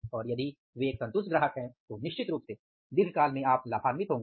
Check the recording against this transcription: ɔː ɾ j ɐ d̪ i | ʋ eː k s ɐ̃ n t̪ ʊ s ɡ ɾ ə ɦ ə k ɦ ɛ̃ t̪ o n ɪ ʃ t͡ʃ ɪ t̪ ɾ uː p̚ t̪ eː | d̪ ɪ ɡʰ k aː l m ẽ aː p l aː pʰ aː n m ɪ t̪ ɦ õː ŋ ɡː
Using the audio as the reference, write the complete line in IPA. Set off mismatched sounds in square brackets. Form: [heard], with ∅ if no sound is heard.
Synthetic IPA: ɔː ɾ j ɐ d̪ i | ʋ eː k s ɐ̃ n t̪ ʊ s ɡ ɾ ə ɦ ə k ɦ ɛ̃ t̪ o n ɪ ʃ t͡ʃ ɪ t̪ ɾ uː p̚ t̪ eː | d̪ ɪ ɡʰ k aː l m ẽ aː p l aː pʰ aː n m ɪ t̪ ɦ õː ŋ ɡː

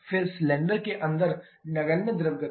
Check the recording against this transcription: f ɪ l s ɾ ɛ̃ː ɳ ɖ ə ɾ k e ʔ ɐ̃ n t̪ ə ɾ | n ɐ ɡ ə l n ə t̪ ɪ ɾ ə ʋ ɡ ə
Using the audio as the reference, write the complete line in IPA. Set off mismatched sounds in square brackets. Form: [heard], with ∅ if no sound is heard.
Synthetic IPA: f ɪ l s [l] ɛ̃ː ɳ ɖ ə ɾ k e ʔ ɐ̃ n [d̪] ə ɾ | n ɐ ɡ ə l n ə [d̪] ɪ ɾ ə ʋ ɡ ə

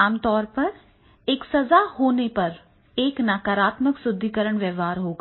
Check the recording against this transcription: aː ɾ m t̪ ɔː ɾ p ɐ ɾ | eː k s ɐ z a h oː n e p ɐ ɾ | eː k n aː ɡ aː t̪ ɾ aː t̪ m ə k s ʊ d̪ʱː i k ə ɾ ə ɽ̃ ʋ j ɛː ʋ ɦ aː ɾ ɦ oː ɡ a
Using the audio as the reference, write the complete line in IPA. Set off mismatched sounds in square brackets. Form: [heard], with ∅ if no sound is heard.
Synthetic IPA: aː [∅] m t̪ ɔː ɾ p ɐ ɾ | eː k s ɐ z a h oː n e p ɐ ɾ | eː k n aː [k] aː [∅] ɾ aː t̪ m ə k s ʊ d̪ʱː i k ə ɾ ə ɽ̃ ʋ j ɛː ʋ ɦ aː ɾ ɦ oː ɡ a

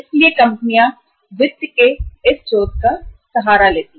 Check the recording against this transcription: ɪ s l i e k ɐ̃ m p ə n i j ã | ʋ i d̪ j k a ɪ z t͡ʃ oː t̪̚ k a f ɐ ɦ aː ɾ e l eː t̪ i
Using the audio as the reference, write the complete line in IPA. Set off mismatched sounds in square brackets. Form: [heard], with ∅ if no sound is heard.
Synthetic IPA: ɪ s l i e k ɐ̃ m p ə n i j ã | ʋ [ɪ] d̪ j k [e] ɪ [s] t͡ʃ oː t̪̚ k a [s] ɐ ɦ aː ɾ [a] l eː t̪ i

